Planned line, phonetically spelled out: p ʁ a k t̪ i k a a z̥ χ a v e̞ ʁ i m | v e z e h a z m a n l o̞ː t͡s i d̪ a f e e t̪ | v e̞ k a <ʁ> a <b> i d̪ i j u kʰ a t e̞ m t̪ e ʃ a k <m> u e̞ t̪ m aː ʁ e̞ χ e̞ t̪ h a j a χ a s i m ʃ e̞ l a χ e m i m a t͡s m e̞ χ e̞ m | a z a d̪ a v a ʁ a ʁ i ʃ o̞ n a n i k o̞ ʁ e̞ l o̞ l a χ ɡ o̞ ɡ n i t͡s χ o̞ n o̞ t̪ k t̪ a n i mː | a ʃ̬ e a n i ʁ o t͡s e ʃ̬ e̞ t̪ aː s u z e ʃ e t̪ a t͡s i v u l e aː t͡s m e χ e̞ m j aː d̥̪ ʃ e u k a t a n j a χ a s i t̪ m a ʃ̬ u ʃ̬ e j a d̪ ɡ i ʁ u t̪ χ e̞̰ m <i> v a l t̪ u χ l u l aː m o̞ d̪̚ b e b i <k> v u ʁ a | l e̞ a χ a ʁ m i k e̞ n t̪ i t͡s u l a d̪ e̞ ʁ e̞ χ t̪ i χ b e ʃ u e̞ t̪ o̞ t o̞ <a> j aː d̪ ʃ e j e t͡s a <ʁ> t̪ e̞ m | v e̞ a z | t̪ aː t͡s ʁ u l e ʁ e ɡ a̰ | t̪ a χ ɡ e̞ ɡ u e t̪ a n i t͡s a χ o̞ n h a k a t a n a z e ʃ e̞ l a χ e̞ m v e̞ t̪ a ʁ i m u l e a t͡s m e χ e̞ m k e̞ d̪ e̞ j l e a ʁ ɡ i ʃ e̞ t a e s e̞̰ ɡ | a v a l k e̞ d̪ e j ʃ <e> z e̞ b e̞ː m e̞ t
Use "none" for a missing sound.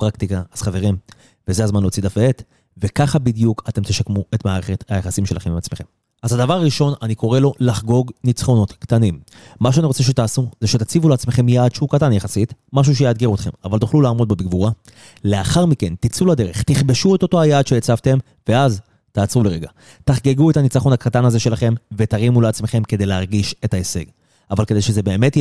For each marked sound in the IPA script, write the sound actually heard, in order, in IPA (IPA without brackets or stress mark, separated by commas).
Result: χ, b, m, a, ɡ, a, v, e